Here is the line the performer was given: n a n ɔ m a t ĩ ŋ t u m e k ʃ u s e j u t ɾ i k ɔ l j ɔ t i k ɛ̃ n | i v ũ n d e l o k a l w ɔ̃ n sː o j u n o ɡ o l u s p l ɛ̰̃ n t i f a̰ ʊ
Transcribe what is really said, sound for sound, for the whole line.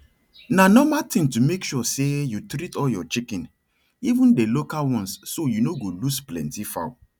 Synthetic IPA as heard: n a n ɔ m a t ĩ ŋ t u m e k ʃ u s e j u t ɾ i t ɔ l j ɔ t͡ʃ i k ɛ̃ n | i v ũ n d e l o k a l w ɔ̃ n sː o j u n o ɡ o l u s p l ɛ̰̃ n t i f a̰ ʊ